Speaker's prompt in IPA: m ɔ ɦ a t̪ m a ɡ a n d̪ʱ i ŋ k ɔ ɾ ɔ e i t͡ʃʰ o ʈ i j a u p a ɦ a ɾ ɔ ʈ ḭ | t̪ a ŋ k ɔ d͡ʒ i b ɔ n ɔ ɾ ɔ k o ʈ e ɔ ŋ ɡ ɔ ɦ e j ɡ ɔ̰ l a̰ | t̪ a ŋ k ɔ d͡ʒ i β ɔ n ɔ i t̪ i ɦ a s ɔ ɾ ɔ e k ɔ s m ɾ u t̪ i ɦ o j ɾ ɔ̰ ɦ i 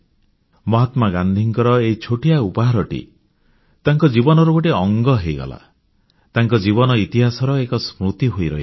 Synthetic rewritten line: m ɔ ɦ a t̪ m a ɡ a n d̪ʱ i ŋ k ɔ ɾ ɔ e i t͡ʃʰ o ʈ i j a u p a ɦ a ɾ ɔ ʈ ḭ | t̪ a ŋ k ɔ d͡ʒ i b ɔ n ɔ ɾ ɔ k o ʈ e ɔ ŋ ɡ ɔ ɦ e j ɡ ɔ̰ l a̰ | t̪ a ŋ k ɔ d͡ʒ i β ɔ n ɔ i t̪ i ɦ a s ɔ ɾ ɔ e k ɔ s m ɾ u t̪ i ɦ o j ɾ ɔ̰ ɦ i

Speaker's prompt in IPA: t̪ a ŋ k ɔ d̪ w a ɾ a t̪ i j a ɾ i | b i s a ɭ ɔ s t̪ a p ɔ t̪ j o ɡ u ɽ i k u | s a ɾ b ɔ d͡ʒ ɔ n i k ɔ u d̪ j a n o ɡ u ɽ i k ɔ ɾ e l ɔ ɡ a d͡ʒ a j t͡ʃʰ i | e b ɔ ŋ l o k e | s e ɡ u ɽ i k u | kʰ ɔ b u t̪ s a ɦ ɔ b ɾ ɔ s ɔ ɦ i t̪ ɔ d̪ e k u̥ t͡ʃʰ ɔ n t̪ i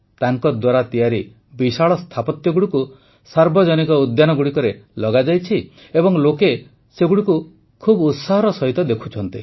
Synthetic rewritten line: t̪ a ŋ k ɔ d̪ w a ɾ a t̪ i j a ɾ i | b i s a ɭ ɔ s t̪ʰ a p ɔ t̪ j ɔ ɡ u ɽ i k u | s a ɾ b ɔ d͡ʒ ɔ n i k ɔ u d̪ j a n ɔ ɡ u ɽ i k ɔ ɾ e l ɔ ɡ a d͡ʒ a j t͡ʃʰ i | e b ɔ ŋ l o k e | s e ɡ u ɽ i k u | kʰ u b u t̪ s a ɦ ɔ ɾ ɔ s ɔ ɦ i t̪ ɔ d̪ e kʰ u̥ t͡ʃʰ ɔ n t̪ i

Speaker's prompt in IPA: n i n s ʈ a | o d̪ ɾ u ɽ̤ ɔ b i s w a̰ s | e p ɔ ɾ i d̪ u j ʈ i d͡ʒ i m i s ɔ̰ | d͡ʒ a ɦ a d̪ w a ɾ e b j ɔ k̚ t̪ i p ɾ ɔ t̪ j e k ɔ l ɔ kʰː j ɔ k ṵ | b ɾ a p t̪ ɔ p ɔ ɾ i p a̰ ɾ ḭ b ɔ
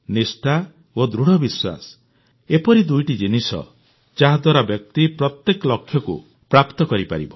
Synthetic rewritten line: n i s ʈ a | o d̪ ɾ u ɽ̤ ɔ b i s w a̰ s | e p ɔ ɾ i d̪ u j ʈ i d͡ʒ i n i s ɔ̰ | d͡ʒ a ɦ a d̪ w a ɾ a b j ɔ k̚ t̪ i p ɾ ɔ t̪ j e k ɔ l ɔ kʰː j ɔ k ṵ | p ɾ a p t̪ ɔ k ɔ ɾ i p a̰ ɾ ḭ b ɔ

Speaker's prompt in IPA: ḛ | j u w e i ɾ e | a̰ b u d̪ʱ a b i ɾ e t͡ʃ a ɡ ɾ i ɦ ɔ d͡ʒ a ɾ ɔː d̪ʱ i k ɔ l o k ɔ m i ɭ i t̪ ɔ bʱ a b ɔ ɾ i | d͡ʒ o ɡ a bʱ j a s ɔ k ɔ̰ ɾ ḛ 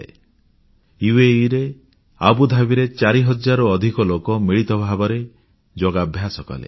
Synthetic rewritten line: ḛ | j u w e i ɾ e | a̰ b u d̪ʱ a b i ɾ e t͡ʃ a ɾ i ɦ ɔ d͡ʒ a ɾ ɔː d̪ʱ i k ɔ l o k ɔ m i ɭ i t̪ ɔ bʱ a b ɔ ɾ e | d͡ʒ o ɡ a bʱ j a s ɔ k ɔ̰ l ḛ

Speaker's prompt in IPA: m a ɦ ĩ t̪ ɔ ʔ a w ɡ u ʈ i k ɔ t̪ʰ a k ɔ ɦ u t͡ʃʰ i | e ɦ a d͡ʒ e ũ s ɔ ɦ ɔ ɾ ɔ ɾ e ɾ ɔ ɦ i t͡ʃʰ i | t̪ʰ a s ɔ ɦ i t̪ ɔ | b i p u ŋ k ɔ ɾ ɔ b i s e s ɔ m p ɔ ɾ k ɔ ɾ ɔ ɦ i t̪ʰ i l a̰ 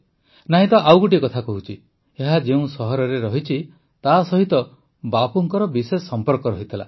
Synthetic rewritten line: n a ɦ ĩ t̪ ɔ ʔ a w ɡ u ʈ i k ɔ t̪ʰ a k ɔ ɦ u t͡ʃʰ i | e ɦ a d͡ʒ e ũ s ɔ ɦ ɔ ɾ ɔ ɾ e ɾ ɔ ɦ i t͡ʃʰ i | t̪ a s ɔ ɦ i t̪ ɔ | b a p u ŋ k ɔ ɾ ɔ b i s e s ɔ m p ɔ ɾ k ɔ ɾ ɔ ɦ i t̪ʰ i l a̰

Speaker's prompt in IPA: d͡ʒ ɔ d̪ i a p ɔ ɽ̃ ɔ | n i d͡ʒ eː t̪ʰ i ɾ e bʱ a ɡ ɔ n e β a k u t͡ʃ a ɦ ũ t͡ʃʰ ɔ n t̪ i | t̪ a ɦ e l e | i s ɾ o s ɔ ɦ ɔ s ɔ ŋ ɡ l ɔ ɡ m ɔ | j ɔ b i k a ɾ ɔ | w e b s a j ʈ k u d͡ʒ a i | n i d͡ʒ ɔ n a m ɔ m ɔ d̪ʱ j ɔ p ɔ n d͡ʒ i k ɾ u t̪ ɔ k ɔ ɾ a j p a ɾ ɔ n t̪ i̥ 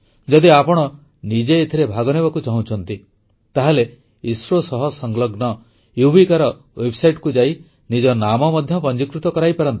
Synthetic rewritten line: d͡ʒ ɔ d̪ i a p ɔ ɽ̃ ɔ | n i d͡ʒ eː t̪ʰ i ɾ e bʱ a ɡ ɔ n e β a k u t͡ʃ a ɦ ũ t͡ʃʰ ɔ n t̪ i | t̪ a ɦ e l e | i s ɾ o s ɔ ɦ ɔ s ɔ ŋ ɡ l ɔ ɡ n ɔ | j u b i k a ɾ ɔ | w e b s a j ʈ k u d͡ʒ a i | n i d͡ʒ ɔ n a m ɔ m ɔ d̪ʱ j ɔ p ɔ n d͡ʒ i k ɾ u t̪ ɔ k ɔ ɾ a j p a ɾ ɔ n t̪ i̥

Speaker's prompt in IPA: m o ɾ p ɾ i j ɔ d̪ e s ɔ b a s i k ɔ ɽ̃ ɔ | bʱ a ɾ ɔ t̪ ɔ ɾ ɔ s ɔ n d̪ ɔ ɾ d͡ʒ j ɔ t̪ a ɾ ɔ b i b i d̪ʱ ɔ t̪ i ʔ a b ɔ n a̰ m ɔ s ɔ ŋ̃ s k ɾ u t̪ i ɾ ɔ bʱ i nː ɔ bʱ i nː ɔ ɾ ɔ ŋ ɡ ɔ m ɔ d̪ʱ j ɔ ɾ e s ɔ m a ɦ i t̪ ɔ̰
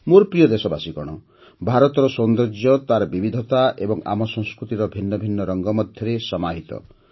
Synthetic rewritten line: m o ɾ p ɾ i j ɔ d̪ e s ɔ b a s i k ɔ ɽ̃ ɔ | bʱ a ɾ ɔ t̪ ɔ ɾ ɔ s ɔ n d̪ ɔ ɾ d͡ʒ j ɔ t̪ a ɾ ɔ b i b i d̪ʱ ɔ t̪ a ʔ e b ɔ ŋ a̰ m ɔ s ɔ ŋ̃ s k ɾ u t̪ i ɾ ɔ bʱ i nː ɔ bʱ i nː ɔ ɾ ɔ ŋ ɡ ɔ m ɔ d̪ʱ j ɔ ɾ e s ɔ m a ɦ i t̪ ɔ̰

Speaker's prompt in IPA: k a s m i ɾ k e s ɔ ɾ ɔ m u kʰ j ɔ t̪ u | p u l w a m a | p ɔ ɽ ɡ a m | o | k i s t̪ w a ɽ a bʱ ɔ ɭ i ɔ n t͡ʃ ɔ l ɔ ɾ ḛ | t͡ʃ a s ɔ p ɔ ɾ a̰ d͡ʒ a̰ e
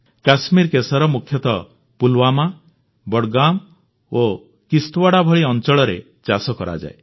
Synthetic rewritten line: k a s m i ɾ k e s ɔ ɾ ɔ m u kʰ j ɔ t̪ ɔ | p u l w a m a | b ɔ ɽ ɡ a m | o | k i s t̪ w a ɽ a bʱ ɔ ɭ i ɔ n t͡ʃ ɔ ɭ ɔ ɾ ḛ | t͡ʃ a s ɔ k ɔ ɾ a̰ d͡ʒ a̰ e

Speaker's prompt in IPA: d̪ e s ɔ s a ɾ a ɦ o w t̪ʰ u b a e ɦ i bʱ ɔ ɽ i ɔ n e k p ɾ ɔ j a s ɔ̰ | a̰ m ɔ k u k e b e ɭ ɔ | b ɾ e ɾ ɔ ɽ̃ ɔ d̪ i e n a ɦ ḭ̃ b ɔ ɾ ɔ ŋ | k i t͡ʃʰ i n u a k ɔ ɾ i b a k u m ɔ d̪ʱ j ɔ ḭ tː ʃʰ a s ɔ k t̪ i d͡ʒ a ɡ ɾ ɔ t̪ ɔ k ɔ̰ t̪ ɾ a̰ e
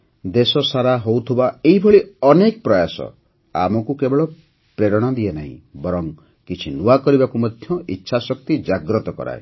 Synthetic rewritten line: d̪ e s ɔ s a ɾ a ɦ o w t̪ʰ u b a e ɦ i bʱ ɔ ɭ i ɔ n e k p ɾ ɔ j a s ɔ̰ | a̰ m ɔ k u k e b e ɭ ɔ | p ɾ e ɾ ɔ ɽ̃ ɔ d̪ i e n a ɦ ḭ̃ b ɔ ɾ ɔ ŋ | k i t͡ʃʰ i n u a k ɔ ɾ i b a k u m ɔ d̪ʱ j ɔ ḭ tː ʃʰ a s ɔ k t̪ i d͡ʒ a ɡ ɾ ɔ t̪ ɔ k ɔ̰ ɾ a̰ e

